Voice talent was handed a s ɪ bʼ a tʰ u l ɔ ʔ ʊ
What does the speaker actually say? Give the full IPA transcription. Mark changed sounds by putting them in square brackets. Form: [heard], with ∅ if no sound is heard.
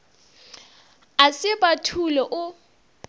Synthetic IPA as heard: a s ɪ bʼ a tʰ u l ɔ ʔ ʊ